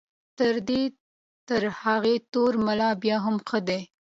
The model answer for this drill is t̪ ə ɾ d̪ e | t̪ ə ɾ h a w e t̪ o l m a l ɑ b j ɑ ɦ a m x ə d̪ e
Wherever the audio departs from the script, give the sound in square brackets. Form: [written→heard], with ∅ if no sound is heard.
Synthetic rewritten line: t̪ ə ɾ d̪ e | t̪ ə ɾ h a [w→ɣ] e t̪ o [l→ɾ] m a l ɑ b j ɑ ɦ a m x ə d̪ e